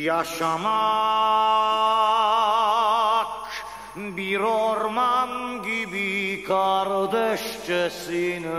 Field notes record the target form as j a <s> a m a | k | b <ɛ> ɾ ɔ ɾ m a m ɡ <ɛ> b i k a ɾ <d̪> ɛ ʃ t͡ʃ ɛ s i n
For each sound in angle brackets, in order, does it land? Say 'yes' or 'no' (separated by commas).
no, no, no, yes